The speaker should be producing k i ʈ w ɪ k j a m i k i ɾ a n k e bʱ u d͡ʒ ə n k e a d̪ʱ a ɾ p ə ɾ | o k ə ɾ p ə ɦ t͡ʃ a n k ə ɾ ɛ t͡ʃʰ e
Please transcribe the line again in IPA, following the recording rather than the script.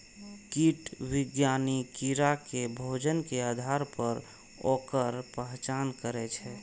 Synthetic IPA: k i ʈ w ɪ ɡ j a n i k i ɾ a k e bʱ o d͡ʒ ə n k e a d̪ʱ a ɾ p ə ɾ | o k ə ɾ p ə ɦ t͡ʃ a n k ə ɾ ɛ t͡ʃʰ ɛ